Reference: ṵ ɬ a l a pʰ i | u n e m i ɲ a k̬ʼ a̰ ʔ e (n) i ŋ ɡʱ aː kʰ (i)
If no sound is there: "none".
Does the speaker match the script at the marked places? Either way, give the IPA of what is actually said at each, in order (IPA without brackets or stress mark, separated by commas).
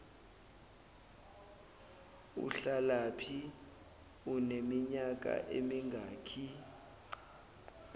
m, i